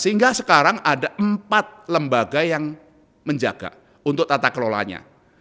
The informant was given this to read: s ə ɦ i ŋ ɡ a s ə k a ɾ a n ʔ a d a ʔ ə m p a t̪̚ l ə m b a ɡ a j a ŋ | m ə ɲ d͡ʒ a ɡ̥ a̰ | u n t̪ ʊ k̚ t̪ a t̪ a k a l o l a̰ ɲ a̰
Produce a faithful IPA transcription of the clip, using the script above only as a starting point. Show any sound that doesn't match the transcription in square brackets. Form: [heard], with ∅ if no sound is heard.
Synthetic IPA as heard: s ə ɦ i ŋ ɡ a s ə k a ɾ a [ŋ] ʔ a d a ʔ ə m p a t̪̚ l ə m b a ɡ a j a ŋ | m ə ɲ d͡ʒ a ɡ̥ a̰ | u n t̪ ʊ k̚ t̪ a t̪ a k [ə] l o l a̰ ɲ a̰